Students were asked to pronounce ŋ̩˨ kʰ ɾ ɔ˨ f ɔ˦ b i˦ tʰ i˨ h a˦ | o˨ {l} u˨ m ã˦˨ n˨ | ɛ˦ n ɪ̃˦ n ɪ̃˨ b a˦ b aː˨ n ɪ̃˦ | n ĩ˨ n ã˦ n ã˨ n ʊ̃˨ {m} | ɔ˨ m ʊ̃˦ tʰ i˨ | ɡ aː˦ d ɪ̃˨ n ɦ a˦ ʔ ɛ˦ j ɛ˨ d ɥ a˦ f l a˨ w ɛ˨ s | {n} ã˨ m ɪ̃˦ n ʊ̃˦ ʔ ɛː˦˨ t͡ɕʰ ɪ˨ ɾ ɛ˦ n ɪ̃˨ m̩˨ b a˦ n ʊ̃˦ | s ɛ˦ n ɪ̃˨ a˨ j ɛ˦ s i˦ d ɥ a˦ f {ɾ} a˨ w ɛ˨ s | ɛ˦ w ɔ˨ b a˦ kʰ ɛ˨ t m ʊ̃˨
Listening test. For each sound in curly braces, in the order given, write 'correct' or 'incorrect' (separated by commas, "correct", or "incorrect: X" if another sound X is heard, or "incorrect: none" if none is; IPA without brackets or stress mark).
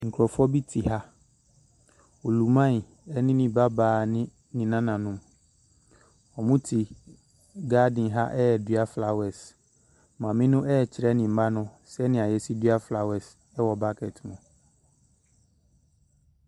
correct, correct, incorrect: m, incorrect: l